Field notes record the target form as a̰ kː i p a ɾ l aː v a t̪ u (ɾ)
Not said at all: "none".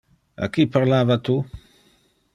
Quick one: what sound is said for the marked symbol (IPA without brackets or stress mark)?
none